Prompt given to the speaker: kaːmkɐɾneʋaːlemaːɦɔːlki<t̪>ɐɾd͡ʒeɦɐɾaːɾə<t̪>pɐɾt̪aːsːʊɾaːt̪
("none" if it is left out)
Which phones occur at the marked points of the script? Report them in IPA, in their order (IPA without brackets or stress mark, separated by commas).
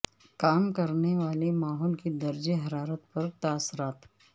d̪, t̪